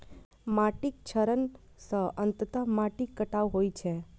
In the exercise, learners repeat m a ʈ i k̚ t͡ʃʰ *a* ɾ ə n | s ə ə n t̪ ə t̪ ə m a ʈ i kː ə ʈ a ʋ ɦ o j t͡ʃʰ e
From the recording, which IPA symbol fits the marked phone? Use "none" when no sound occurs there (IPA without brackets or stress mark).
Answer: ə